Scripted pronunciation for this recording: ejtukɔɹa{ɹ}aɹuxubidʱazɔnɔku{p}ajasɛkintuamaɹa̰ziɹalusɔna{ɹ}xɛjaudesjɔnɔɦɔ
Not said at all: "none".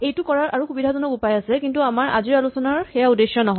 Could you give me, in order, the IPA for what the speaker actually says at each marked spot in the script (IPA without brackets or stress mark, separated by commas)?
ɹ, p, ɹ